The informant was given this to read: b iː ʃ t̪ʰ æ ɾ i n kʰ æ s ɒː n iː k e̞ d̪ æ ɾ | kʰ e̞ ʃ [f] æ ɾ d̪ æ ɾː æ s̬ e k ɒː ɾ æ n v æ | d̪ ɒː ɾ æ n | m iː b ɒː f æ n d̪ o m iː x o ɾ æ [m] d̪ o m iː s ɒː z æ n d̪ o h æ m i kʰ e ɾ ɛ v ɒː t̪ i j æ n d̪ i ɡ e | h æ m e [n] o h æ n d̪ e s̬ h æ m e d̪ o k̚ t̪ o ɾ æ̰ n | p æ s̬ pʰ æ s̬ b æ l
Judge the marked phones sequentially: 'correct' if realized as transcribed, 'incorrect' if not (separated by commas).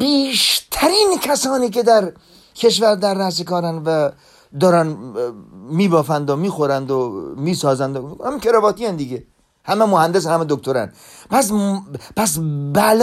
incorrect, incorrect, incorrect